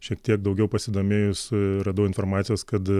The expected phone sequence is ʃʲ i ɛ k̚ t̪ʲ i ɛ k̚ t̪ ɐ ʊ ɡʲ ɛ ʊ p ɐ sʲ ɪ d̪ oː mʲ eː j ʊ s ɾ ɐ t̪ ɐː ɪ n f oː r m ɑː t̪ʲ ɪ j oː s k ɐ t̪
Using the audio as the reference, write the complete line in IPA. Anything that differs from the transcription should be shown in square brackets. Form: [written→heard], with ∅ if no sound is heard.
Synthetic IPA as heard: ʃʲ i ɛ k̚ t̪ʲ i ɛ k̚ [t̪→d̪] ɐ ʊ ɡʲ ɛ ʊ p ɐ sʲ ɪ d̪ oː mʲ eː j ʊ s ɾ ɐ [t̪→d̪] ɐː ɪ n f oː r m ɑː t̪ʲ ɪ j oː s k ɐ t̪